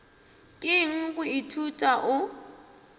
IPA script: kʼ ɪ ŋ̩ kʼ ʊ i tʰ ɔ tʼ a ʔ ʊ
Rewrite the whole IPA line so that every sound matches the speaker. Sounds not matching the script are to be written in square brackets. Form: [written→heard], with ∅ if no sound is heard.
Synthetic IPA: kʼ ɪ ŋ̩ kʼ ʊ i tʰ [ɔ→u] tʼ a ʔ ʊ

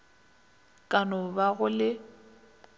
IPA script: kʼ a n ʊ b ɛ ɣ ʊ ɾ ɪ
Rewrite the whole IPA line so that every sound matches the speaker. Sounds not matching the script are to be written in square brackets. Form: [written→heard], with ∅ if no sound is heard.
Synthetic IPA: kʼ a n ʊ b [ɛ→a] ɣ ʊ [ɾ→l] ɪ

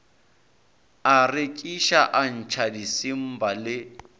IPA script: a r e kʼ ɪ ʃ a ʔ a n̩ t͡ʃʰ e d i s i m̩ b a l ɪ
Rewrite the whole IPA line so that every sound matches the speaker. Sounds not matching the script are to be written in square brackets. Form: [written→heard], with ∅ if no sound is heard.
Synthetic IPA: a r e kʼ [ɪ→i] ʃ a ʔ a n̩ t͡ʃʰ [e→a] d i s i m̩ b a l ɪ

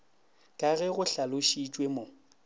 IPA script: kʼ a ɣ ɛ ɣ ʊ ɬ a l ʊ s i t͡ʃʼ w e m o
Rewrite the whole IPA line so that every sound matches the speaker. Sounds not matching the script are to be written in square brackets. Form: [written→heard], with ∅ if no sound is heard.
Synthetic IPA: kʼ a ɣ ɛ ɣ ʊ ɬ a l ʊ [s→ʃ] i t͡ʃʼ w e m o

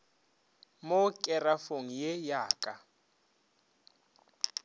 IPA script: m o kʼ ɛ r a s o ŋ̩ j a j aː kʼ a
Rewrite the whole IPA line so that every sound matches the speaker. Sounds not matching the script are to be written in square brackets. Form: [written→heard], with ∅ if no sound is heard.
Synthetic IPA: m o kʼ ɛ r a [s→f] o ŋ̩ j [a→e] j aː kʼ a

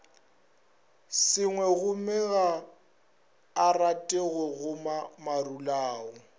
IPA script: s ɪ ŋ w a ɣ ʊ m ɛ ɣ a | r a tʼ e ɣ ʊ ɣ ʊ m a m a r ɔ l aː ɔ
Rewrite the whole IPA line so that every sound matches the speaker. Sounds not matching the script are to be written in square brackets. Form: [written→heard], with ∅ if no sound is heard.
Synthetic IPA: s ɪ ŋ w [a→ɛ] ɣ ʊ m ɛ ɣ a | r a tʼ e ɣ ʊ ɣ ʊ m a m a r [ɔ→u] l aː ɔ

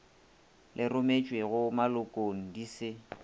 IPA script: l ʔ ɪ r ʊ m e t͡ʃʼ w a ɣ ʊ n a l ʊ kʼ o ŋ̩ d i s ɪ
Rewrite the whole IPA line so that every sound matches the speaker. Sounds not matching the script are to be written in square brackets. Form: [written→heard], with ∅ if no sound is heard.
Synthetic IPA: l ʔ ɪ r ʊ m e t͡ʃʼ w [a→e] ɣ ʊ [n→m] a l ʊ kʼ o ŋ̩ d i s ɪ

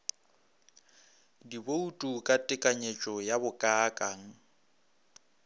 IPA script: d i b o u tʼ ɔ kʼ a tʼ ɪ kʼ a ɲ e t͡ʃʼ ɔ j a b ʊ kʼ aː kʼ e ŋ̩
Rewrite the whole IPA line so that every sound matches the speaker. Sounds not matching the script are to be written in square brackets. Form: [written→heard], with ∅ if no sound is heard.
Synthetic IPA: d i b o u tʼ [ɔ→u] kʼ a tʼ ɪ kʼ a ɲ e t͡ʃʼ ɔ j a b ʊ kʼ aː kʼ [e→a] ŋ̩

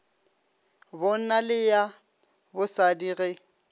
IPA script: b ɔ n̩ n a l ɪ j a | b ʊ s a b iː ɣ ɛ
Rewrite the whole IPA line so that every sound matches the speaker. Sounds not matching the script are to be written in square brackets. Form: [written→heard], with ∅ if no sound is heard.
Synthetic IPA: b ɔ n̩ n a l ɪ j a | b ʊ s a [b→d] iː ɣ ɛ

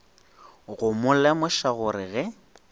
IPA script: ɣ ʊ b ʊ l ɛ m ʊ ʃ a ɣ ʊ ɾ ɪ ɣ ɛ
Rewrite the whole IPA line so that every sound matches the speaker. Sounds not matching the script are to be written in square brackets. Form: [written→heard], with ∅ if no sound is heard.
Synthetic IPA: ɣ ʊ [b→m] ʊ l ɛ m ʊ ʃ a ɣ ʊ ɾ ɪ ɣ ɛ

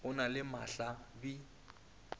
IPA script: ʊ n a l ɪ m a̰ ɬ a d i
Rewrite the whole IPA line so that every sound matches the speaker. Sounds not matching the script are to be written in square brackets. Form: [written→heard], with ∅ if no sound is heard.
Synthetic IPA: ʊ n a l ɪ m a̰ ɬ a [d→b] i

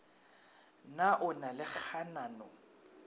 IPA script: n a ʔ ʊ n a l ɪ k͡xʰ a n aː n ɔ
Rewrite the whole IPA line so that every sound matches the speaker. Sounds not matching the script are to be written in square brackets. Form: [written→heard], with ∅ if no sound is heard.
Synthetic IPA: n a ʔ ʊ n a l ɪ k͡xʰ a n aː n ɔ

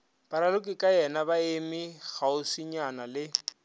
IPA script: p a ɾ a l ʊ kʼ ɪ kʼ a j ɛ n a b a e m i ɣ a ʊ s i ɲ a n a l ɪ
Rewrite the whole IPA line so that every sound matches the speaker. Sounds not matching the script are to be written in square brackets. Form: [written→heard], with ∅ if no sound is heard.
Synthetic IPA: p a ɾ a l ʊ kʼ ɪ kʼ a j ɛ n a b a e m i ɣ a ʊ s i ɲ a n a l ɪ

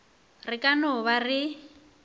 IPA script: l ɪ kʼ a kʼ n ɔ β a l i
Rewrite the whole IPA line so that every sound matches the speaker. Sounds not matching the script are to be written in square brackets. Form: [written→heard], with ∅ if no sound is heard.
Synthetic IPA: [l→r] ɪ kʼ a [kʼ→∅] n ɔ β a [l→r] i

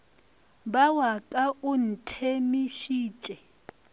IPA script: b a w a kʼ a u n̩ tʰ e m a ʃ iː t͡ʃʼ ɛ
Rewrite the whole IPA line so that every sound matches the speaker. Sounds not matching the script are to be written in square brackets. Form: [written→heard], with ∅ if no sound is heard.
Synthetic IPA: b a w a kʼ a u n̩ tʰ e m [a→i] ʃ iː t͡ʃʼ ɛ

